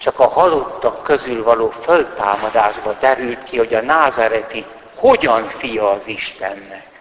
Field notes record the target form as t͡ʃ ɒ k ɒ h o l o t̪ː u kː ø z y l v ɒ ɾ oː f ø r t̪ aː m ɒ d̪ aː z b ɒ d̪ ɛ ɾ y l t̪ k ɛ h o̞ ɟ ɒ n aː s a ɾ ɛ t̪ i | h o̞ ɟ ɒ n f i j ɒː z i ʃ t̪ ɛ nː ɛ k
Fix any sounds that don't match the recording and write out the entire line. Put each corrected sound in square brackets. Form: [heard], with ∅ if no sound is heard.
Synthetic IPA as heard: t͡ʃ ɒ k ɒ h [ɒ] l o t̪ː [ɒ] kː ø z y l v ɒ [l] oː f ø [l] t̪ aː m ɒ d̪ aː [ʒ] b ɒ d̪ ɛ ɾ y l t̪ k [i] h o̞ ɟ ɒ n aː [z] a ɾ ɛ t̪ i | h o̞ ɟ ɒ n f i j ɒː z i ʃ t̪ ɛ nː ɛ k